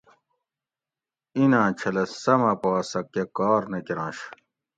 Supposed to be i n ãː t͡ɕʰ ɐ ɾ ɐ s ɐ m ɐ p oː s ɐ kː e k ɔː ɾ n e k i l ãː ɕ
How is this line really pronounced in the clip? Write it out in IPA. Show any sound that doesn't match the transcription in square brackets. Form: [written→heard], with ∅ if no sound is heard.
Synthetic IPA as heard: i n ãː t͡ɕʰ ɐ [ɾ→l] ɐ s ɐ m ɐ p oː s ɐ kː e k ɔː ɾ n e k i [l→ɾ] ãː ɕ